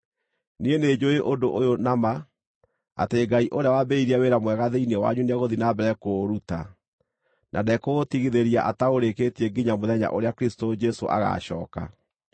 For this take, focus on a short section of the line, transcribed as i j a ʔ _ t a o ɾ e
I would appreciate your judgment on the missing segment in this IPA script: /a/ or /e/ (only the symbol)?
a